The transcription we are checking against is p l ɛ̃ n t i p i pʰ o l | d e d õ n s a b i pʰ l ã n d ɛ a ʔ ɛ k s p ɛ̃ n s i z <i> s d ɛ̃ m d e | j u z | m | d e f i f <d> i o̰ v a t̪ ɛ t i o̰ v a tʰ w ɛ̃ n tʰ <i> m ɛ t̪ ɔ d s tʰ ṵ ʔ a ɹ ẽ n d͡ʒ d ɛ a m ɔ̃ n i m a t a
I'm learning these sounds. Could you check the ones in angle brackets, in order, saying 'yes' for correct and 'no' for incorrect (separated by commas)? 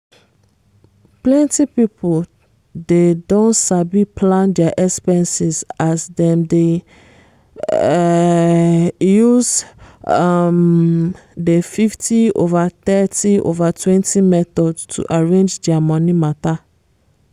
no, no, yes